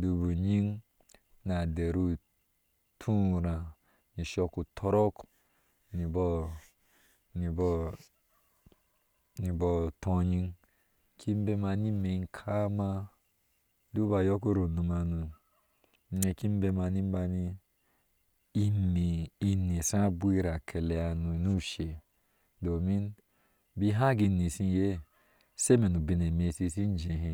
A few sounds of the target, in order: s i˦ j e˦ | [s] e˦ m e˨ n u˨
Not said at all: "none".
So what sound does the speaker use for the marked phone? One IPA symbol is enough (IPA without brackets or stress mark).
s